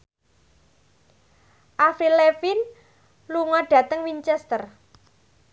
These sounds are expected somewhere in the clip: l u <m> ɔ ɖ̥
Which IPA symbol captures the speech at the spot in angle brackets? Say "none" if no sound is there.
ŋ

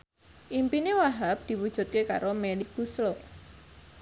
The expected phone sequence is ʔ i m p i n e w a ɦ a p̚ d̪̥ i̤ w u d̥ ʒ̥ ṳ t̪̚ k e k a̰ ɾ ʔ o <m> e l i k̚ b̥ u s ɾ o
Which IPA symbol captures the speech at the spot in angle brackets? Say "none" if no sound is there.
m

